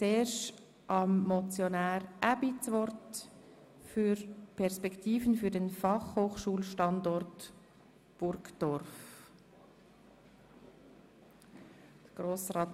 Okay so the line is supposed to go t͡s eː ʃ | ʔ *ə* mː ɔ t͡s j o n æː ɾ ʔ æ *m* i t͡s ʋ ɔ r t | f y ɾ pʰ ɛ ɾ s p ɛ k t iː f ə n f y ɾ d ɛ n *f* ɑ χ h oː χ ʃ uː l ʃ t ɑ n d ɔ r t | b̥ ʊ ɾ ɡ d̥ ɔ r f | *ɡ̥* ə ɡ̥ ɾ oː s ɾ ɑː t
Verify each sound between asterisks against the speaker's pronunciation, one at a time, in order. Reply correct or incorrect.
incorrect, incorrect, correct, incorrect

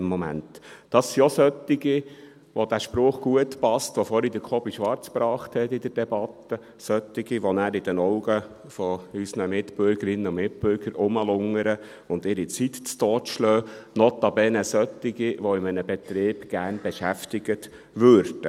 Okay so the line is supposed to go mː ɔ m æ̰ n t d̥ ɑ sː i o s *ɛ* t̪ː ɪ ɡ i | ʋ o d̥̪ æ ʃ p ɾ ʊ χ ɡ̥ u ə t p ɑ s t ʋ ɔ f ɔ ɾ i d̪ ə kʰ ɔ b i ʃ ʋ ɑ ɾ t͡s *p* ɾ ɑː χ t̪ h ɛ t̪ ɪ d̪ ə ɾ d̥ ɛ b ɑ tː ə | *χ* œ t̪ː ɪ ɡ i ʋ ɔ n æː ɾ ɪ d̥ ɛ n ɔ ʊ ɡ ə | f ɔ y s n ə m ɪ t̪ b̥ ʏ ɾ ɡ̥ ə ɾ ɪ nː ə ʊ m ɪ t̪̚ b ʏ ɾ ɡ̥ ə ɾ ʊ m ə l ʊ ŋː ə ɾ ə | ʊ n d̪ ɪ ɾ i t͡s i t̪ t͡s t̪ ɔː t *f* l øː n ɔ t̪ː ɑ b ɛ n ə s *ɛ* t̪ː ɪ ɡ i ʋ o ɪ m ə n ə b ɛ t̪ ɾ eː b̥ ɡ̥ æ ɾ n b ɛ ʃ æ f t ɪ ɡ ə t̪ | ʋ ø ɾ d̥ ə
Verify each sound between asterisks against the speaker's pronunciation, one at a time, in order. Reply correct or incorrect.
incorrect, correct, incorrect, incorrect, incorrect

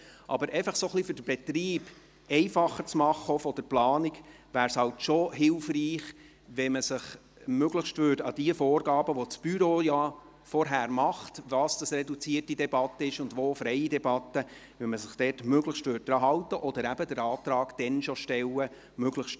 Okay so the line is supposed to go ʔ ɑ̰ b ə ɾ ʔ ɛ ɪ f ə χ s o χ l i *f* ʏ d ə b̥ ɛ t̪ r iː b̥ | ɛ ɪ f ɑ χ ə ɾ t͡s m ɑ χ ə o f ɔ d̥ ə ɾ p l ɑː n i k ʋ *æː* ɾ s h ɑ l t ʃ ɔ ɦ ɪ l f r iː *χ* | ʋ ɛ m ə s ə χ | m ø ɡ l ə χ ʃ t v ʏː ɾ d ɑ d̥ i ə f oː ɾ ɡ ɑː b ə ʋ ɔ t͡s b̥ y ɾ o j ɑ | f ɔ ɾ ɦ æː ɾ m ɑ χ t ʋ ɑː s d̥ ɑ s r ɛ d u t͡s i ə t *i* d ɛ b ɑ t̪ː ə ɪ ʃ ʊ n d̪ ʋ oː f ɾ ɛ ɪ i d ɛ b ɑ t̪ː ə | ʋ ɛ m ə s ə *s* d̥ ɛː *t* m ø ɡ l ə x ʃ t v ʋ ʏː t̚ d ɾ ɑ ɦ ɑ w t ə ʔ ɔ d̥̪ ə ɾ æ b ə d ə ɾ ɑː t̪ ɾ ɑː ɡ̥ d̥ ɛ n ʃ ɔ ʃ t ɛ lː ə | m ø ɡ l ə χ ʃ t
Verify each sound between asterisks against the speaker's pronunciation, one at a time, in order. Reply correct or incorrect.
correct, correct, correct, correct, incorrect, correct

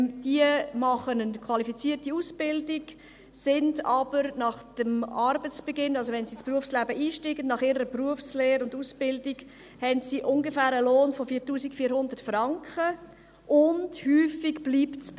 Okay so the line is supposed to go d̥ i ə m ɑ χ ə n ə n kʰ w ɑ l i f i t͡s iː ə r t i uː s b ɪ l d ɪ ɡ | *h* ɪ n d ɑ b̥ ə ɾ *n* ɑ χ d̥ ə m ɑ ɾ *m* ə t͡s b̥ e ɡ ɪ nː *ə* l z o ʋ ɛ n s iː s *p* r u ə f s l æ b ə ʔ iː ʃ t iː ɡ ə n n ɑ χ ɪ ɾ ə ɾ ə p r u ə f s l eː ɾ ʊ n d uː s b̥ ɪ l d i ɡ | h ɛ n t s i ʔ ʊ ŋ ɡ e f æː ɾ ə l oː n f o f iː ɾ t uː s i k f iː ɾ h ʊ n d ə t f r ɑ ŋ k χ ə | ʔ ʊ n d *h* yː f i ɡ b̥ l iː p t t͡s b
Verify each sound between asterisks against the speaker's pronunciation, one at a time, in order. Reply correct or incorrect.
incorrect, correct, incorrect, incorrect, correct, correct

